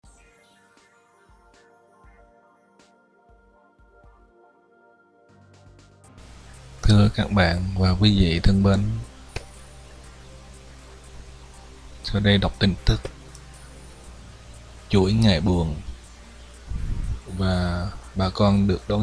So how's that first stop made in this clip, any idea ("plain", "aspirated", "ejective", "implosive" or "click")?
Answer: aspirated